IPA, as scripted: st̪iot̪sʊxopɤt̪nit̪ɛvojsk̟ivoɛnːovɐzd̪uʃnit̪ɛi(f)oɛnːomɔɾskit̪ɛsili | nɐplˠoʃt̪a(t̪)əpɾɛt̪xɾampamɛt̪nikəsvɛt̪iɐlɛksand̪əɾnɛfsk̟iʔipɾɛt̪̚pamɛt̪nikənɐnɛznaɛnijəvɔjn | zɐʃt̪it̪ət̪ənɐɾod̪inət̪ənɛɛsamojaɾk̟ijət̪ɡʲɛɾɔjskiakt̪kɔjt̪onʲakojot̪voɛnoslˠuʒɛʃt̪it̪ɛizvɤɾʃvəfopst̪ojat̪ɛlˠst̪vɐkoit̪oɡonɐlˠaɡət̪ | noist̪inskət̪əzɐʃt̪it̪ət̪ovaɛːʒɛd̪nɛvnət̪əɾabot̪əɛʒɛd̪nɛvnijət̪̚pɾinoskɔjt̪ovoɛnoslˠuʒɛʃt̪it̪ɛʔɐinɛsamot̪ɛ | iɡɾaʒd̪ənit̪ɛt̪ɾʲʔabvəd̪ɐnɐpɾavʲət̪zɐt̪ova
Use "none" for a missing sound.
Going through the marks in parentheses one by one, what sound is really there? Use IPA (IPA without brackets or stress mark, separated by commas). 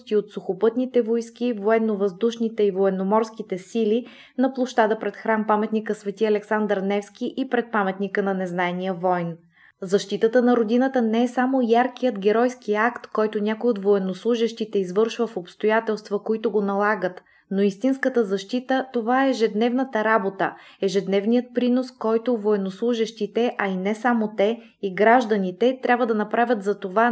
v, d̪